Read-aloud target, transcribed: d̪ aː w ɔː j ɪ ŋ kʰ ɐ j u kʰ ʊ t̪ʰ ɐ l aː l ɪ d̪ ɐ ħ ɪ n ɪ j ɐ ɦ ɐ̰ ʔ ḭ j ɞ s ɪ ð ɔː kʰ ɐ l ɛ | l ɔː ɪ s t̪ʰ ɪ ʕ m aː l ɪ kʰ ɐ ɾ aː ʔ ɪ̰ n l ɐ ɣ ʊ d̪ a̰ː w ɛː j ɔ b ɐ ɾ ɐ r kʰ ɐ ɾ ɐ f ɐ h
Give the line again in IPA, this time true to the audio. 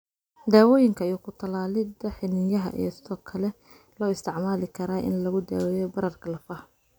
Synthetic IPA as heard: d̪ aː w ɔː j ɪ ŋ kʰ ɐ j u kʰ ʊ t̪ʰ ɐ l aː l ɪ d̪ ɐ ħ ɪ n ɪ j ɐ ɦ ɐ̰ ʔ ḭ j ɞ s ɪ ð ɔː kʰ ɐ l ɛ | l ɔː ɪ s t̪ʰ ɪ ʕ m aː l ɪ kʰ ɐ ɾ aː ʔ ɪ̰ n l ɐ ɣ ʊ d̪ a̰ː w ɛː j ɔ b ɐ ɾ ɐ r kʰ ɐ l ɐ f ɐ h

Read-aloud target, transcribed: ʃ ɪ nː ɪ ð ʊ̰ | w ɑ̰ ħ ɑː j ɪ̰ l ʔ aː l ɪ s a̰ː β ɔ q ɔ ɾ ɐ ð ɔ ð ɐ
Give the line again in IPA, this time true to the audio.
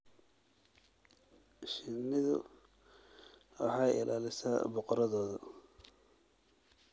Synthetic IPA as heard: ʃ ɪ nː ɪ ð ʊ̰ | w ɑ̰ ħ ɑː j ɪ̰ l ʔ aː l ɪ s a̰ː b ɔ q ɔ ɾ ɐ ð ɔː ð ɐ

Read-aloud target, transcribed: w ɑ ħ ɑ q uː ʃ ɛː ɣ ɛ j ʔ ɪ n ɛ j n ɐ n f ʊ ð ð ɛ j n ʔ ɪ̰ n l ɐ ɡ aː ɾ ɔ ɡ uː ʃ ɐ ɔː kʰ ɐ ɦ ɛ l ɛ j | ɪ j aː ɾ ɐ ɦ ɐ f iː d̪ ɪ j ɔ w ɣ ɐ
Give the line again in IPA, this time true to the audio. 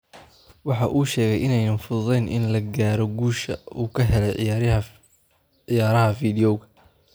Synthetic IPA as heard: w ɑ ħ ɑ ʔ uː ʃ ɛː ɣ ɛ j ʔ ɪ n ɛ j n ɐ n f ʊ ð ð ɛ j n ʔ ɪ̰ n l ɐ ɡ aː ɾ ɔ ɡ uː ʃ ɐ uː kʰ ɐ ɦ ɛ l ɛ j | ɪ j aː ɾ ɐ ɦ ɐ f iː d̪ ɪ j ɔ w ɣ ɐ

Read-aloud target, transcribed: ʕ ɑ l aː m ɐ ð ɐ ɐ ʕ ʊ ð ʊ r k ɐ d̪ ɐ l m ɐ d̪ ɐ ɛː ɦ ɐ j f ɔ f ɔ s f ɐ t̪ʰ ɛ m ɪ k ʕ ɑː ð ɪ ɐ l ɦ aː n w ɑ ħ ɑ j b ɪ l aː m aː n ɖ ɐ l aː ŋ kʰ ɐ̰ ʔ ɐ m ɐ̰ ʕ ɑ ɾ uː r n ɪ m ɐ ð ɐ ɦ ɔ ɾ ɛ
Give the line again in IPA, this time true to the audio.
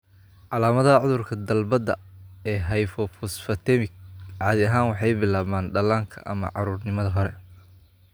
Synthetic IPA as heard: ʕ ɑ l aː m ɐ ð ɐ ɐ ʕ ʊ ð ʊ r kʰ ɐ d̪ ɐ l b ɐ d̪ ɐ ɛː ɦ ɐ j f ɔ f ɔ s f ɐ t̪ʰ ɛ m ɪ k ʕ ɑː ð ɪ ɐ ɦ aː n w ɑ ħ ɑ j b ɪ l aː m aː n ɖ ɐ l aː ŋ kʰ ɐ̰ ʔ ɐ m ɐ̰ ʕ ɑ ɾ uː r n ɪ m ɐ ð ɐ ɦ ɔ ɾ ɛ

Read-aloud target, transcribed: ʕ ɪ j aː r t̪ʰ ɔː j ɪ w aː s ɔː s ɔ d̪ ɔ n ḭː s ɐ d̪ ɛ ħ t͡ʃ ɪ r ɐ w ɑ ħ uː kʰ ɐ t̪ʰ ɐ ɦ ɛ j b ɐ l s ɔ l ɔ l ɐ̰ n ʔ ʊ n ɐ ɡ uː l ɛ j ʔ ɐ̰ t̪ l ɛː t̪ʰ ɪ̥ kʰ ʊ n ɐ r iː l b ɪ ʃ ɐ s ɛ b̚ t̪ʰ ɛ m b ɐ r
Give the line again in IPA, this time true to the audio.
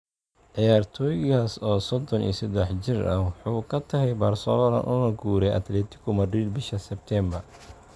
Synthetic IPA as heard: ʕ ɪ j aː r t̪ʰ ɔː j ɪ ɣ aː s ɔː s ɔ d̪ ɔ n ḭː s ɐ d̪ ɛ ħ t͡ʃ ɪ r ɐ w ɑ ħ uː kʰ ɐ t̪ʰ ɐ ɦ ɛ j b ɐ r s ɔ l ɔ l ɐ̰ n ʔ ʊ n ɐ ɡ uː ɾ ɛ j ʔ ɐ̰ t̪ l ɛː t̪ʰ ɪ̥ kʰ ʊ m ɐ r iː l b ɪ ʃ ɐ s ɛ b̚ t̪ʰ ɛ m b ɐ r

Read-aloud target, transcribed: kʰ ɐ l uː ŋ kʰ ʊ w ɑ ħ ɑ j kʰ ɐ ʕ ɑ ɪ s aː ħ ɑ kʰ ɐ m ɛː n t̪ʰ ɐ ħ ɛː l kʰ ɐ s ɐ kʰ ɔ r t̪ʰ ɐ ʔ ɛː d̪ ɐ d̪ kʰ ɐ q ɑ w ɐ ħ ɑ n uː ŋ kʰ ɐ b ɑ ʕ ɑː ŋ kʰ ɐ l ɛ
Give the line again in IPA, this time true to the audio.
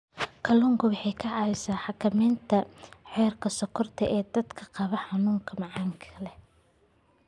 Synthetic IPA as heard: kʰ ɐ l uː ŋ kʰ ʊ w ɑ ħ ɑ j kʰ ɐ ʕ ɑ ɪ s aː ħ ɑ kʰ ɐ m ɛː n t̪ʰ ɐ ħ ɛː r kʰ ɐ s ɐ kʰ ɔ r t̪ʰ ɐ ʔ ɛː d̪ ɐ d̪ kʰ ɐ q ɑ β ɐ ħ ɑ n uː ŋ kʰ ɐ m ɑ ʕ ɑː ŋ kʰ ɐ l ɛ

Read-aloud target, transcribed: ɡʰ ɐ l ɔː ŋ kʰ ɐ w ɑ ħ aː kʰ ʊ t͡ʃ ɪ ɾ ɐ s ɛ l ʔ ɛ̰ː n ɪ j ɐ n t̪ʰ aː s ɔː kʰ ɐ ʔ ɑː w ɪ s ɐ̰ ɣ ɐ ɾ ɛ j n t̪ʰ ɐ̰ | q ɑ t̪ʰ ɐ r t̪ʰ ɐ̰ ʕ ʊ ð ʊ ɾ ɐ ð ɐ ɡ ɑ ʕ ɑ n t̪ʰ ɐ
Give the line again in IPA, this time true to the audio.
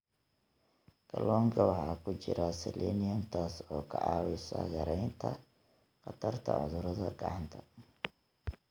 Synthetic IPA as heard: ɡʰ ɐ l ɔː ŋ kʰ ɐ w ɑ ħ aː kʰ ʊ t͡ʃ ɪ ɾ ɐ s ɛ l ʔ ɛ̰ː n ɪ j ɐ n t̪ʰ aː s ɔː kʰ ɐ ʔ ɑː w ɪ s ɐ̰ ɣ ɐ ɾ ɛ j n t̪ʰ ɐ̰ | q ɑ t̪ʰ ɐ r t̪ʰ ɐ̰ ʕ ʊ ð ʊ ɾ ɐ ð ɐ ɡ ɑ ʕ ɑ n t̪ʰ ɐ

